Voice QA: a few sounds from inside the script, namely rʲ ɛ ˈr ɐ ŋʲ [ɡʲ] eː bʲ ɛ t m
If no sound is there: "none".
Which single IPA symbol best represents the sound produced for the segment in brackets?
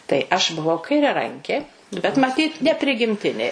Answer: kʲ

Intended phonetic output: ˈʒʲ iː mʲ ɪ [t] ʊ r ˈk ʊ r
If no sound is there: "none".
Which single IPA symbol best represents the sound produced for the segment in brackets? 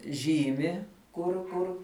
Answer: k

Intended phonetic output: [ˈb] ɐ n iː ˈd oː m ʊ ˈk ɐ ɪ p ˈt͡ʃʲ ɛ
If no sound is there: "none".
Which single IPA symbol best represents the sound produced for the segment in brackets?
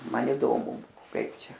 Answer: m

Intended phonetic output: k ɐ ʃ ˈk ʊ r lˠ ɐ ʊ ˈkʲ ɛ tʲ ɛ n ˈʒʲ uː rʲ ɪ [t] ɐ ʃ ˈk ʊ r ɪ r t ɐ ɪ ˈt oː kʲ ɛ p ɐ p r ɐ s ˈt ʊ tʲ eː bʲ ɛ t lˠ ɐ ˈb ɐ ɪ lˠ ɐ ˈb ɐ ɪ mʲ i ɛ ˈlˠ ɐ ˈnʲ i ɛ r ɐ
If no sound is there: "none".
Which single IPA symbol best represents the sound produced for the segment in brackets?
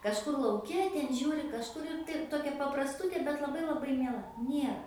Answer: k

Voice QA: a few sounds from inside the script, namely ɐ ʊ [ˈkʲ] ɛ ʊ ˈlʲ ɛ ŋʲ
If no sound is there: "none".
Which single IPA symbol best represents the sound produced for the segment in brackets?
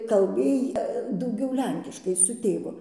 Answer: ɡʲ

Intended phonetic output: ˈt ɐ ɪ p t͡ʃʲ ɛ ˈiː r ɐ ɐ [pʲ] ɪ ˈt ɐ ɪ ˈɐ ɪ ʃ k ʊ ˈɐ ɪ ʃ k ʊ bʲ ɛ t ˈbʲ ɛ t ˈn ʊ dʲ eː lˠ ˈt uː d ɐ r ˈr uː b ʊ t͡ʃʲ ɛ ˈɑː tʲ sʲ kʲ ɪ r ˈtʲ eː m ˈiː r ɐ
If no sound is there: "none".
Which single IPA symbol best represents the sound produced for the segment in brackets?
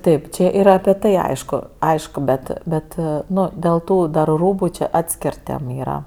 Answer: pʲ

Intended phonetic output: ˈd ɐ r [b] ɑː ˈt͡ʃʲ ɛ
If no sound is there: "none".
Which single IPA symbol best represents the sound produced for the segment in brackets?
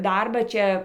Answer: b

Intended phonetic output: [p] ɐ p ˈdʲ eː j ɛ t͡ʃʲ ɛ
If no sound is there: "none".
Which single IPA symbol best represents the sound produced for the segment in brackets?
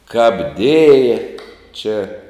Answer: k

